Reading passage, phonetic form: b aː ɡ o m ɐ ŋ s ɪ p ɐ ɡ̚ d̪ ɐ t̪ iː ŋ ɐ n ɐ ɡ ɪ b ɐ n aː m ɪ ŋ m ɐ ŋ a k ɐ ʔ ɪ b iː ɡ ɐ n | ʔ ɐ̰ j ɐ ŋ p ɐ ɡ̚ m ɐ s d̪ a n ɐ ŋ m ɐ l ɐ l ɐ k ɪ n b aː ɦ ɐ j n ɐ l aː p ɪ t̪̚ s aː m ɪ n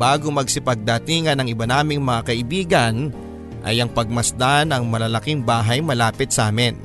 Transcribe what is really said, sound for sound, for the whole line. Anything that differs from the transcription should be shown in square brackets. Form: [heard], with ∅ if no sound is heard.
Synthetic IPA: b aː ɡ o m ɐ [ɡ] s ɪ p ɐ ɡ̚ d̪ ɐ t̪ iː ŋ ɐ n ɐ [ŋ] ɪ b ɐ n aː m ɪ ŋ m ɐ ŋ a k ɐ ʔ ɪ b iː ɡ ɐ n | ʔ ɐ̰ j ɐ ŋ p ɐ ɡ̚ m ɐ s d̪ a n ɐ ŋ m ɐ l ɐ l ɐ k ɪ [ŋ] b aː ɦ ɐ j [m] ɐ l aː p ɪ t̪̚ s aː m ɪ n